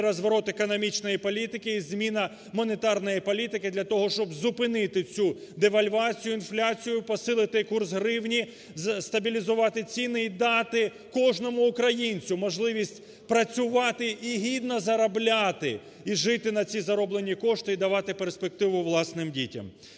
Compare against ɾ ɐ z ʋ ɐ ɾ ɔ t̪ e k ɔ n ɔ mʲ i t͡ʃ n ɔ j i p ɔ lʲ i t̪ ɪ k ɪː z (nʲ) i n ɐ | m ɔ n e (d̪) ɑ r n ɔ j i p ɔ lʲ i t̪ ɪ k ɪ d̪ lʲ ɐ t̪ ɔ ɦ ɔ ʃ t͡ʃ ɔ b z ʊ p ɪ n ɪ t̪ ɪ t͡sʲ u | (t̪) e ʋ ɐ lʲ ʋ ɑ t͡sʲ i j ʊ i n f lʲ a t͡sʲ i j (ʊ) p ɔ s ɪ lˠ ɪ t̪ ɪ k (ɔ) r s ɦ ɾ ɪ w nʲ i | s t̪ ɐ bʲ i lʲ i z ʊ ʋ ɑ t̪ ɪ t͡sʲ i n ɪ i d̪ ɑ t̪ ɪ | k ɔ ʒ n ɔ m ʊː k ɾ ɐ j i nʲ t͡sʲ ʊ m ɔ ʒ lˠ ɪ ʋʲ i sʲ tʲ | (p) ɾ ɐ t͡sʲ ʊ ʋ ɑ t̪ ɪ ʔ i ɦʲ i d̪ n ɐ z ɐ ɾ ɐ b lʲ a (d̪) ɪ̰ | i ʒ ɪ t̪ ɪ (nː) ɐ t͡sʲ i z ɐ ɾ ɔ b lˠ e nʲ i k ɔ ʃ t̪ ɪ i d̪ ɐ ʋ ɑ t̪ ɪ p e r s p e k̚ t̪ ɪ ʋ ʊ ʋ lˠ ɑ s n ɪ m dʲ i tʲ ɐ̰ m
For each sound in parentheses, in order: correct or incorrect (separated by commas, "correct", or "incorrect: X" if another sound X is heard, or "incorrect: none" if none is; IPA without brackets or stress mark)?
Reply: incorrect: mʲ, incorrect: t̪, incorrect: d̪, correct, incorrect: u, correct, incorrect: t̪, incorrect: n